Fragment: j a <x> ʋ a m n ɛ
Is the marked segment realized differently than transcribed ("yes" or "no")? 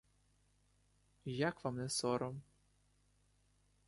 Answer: yes